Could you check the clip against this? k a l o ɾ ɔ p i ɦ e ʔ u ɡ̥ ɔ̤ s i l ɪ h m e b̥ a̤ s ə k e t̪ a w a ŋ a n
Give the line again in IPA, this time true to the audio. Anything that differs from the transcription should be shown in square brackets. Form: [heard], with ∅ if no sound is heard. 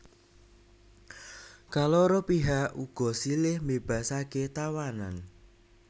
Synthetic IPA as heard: k a l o ɾ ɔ p i ɦ [a] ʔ u ɡ̥ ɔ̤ s i l ɪ h m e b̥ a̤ s [a] k e t̪ a w a [n] a n